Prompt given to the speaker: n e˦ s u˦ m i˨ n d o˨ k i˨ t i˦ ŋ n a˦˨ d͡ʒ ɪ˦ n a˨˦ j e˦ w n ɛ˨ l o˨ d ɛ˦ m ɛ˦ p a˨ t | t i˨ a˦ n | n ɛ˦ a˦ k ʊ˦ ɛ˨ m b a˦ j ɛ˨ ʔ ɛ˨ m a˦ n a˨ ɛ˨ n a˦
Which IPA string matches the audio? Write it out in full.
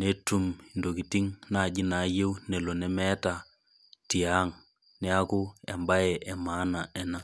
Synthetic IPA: n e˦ t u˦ m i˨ n d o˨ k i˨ t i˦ ŋ n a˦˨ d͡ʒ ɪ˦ n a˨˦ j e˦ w n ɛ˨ l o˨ n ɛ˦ m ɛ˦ t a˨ | t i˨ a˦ ŋ | n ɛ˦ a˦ k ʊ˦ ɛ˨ m b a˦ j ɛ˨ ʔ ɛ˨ m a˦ n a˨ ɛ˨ n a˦